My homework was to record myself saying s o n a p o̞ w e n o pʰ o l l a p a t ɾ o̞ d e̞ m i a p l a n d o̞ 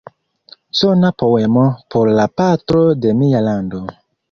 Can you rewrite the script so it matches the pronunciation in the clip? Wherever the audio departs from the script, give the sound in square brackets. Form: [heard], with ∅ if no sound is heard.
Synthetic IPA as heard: s o n a p o̞ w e [m] o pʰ o [ɾ] l a p a t ɾ o̞ d e̞ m i a [∅] l a n d o̞